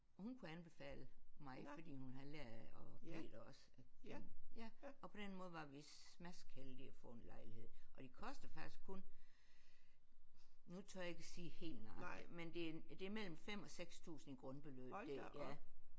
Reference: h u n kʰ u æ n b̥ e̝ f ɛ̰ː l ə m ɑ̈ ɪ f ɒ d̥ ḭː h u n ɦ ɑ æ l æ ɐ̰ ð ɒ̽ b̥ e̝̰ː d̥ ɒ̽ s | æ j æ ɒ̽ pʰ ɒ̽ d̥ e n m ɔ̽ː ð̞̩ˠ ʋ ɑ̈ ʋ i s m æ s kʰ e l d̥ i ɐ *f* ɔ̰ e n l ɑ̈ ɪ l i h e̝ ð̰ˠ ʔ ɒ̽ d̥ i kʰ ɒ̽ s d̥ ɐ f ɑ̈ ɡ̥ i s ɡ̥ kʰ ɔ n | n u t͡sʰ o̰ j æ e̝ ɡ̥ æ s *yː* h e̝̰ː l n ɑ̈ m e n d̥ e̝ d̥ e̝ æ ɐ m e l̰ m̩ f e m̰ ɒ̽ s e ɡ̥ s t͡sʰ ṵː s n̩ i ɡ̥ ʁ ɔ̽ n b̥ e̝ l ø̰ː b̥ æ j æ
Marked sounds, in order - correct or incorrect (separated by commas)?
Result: correct, incorrect